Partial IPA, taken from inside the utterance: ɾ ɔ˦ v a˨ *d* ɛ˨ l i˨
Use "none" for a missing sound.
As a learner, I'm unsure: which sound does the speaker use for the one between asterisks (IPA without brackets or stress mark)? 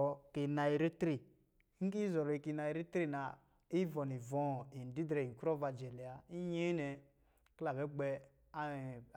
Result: d͡ʒ